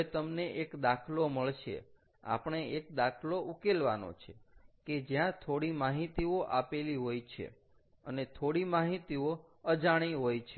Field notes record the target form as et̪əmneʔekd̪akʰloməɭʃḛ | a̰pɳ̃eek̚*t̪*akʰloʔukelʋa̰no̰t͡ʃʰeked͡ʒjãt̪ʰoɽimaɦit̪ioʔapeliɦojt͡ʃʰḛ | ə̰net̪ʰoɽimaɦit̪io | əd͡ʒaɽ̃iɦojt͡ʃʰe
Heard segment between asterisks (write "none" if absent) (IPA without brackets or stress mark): d̪